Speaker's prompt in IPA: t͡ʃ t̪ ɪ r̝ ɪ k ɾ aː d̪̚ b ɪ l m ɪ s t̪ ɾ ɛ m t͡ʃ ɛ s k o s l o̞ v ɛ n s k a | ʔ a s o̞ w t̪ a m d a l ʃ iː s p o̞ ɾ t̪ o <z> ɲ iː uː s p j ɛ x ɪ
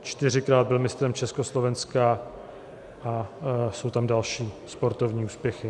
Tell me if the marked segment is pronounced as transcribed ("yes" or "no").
no